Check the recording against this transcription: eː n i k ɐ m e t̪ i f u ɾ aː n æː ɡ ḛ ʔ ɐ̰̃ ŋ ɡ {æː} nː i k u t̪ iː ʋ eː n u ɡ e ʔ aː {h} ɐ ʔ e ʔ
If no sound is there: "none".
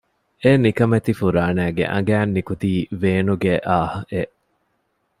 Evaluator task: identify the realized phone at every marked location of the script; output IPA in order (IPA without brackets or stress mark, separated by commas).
æː, h